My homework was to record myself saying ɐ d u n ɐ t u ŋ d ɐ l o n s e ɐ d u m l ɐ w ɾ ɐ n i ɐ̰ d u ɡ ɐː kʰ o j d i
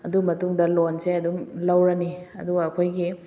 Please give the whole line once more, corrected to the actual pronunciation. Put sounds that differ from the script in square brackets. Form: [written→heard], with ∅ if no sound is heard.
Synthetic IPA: ɐ d u [n→m] ɐ t u ŋ d ɐ l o n s e ɐ d u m l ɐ w ɾ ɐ n i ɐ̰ d u ɡ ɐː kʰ o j [d→ɡ] i